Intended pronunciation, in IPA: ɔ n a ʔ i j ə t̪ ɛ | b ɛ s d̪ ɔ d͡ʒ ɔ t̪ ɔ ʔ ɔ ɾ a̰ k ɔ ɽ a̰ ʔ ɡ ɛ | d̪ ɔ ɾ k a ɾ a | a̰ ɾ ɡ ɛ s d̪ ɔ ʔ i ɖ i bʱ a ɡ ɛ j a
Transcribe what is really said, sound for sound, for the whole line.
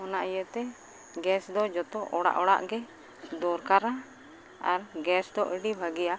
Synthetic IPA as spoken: ɔ n a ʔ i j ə t̪ ɛ | ɡ ɛ s d̪ ɔ d͡ʒ ɔ t̪ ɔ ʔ ɔ ɽ a̰ ʔ ɔ ɽ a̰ ʔ ɡ ɛ | d̪ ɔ ɾ k a ɾ a | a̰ ɾ ɡ ɛ s d̪ ɔ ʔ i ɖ i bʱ a ɡ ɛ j a

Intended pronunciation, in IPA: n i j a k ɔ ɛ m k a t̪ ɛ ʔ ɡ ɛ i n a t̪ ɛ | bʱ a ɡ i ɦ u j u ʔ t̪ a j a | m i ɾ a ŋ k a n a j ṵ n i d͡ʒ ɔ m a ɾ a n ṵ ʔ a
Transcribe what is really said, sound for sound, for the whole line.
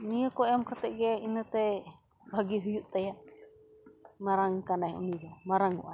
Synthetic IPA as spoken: n i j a k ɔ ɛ m k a t̪ ɛ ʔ ɡ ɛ i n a t̪ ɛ | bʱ a ɡ i ɦ u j u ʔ t̪ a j a | m a ɾ a ŋ k a n a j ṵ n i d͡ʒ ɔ m a ɾ a ŋ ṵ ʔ a

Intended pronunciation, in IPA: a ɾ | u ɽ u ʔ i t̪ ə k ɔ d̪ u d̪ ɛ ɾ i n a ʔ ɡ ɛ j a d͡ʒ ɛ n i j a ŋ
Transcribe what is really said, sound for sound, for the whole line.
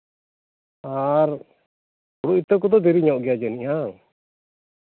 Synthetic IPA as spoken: a ɾ | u ɽ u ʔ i t̪ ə k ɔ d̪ ɔ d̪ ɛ ɾ i ɲ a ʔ ɡ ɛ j a d͡ʒ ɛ n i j a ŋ

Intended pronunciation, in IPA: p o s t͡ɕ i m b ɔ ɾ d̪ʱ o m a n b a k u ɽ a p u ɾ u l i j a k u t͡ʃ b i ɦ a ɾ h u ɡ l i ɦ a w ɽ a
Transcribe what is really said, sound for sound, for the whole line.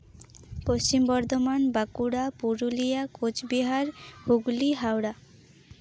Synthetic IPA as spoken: p o s t͡ɕ i m b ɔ ɾ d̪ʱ o m a n b a k u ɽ a p u ɾ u l i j a k o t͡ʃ b i ɦ a ɾ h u ɡ l i ɦ a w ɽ a

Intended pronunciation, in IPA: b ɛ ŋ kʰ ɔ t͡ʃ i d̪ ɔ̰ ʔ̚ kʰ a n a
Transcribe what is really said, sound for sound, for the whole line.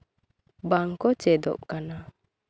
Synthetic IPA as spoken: b a ŋ k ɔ t͡ʃ ɛ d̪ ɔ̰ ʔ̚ k a n a

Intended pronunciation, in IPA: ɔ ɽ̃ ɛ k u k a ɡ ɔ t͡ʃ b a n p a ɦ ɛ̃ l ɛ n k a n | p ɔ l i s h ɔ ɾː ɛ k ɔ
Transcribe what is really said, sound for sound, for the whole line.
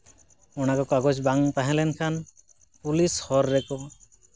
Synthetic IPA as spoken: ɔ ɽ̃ a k ɔ k a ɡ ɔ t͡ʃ b a ŋ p a ɦ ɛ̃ l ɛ n kʰ a n | p u l i s h ɔ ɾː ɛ k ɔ

